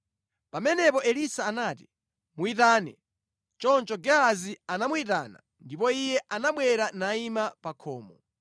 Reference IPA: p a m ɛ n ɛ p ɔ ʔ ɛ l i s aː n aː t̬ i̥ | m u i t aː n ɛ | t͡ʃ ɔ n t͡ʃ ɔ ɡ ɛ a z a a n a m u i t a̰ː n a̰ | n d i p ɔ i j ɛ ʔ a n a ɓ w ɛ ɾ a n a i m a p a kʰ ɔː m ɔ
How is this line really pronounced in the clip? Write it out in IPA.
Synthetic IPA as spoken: p a m ɛ n ɛ p ɔ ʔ ɛ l i s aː n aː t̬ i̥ | m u i t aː n ɛ | t͡ʃ ɔ n t͡ʃ ɔ ɡ ɛ a z i a n a m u i t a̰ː n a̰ | n d i p ɔ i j ɛ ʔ a n a ɓ w ɛ ɾ a n a i m a p a kʰ ɔː m ɔ